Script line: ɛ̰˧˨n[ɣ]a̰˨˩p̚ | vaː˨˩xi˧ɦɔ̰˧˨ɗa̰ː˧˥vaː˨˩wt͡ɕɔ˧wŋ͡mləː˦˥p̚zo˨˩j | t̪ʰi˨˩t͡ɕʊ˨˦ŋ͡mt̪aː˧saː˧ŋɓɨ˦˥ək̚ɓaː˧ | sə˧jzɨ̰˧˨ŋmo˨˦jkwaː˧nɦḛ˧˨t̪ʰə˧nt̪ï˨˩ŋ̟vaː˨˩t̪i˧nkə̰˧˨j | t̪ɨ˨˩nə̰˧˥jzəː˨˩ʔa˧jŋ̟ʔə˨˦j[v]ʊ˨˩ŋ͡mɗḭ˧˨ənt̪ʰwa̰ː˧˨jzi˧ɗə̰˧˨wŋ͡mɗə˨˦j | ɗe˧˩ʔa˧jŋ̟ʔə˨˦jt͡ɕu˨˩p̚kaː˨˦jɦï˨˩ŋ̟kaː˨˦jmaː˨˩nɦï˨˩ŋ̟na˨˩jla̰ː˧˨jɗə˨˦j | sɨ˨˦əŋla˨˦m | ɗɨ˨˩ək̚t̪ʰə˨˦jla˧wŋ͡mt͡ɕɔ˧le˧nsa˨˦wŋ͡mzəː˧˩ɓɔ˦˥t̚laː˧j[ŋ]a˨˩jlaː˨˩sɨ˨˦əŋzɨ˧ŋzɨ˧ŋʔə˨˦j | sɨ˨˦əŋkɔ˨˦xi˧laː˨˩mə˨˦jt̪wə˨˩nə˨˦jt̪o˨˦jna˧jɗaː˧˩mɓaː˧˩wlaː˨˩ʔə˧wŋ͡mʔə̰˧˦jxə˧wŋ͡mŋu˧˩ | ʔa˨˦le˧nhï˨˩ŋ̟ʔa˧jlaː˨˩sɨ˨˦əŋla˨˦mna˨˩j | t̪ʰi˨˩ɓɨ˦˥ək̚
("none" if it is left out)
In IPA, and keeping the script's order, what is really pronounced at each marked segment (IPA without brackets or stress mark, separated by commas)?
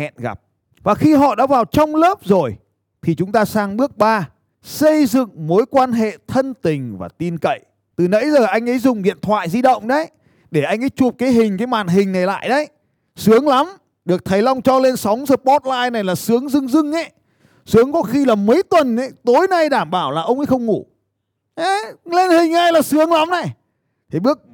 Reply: ɣ, z, n